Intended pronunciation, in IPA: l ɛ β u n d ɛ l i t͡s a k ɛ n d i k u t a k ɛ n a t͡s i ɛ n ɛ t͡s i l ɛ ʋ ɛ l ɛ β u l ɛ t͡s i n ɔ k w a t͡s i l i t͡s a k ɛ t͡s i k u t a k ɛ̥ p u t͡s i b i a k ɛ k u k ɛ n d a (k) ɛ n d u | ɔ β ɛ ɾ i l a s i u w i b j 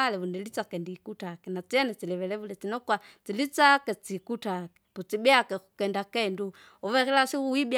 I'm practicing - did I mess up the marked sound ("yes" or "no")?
no